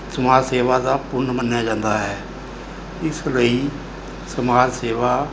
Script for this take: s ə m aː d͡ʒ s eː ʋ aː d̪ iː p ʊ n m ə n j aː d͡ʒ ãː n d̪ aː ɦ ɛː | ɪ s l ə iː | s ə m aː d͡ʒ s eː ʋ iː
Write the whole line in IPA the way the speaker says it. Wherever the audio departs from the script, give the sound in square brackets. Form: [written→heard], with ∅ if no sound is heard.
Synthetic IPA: s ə m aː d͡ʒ s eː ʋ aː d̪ [iː→aː] p ʊ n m ə n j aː d͡ʒ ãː n d̪ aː ɦ ɛː | ɪ s l ə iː | s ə m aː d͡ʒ s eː ʋ [iː→aː]